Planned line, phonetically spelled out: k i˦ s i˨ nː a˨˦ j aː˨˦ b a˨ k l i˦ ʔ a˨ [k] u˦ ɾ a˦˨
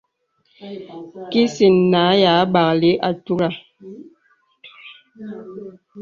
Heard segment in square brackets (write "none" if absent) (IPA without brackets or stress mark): t